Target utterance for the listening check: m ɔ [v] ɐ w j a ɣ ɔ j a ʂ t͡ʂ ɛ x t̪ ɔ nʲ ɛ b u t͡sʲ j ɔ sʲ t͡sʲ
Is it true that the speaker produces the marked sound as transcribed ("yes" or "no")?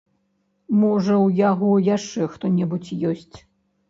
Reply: no